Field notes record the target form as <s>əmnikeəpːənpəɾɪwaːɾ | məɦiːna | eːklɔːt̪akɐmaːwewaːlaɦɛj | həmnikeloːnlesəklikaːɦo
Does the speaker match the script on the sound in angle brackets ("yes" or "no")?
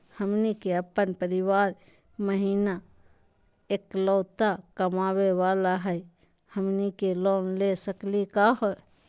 no